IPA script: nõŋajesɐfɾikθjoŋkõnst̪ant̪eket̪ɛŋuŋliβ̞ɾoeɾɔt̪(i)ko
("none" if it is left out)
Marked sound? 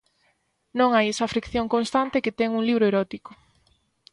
i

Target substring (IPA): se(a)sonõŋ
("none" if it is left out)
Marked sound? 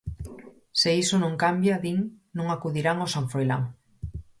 i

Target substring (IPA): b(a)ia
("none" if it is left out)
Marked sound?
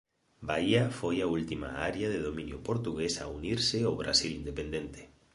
a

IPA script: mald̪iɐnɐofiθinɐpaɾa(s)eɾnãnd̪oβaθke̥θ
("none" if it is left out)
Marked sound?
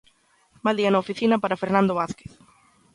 f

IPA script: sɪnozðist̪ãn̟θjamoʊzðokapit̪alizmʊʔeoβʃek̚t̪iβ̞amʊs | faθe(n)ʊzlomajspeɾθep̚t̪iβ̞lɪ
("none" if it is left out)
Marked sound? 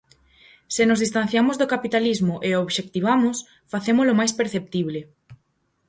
m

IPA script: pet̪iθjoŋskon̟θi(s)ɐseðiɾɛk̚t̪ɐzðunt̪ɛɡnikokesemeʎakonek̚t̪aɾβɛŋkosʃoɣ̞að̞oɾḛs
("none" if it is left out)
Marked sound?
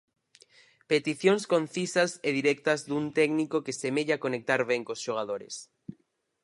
s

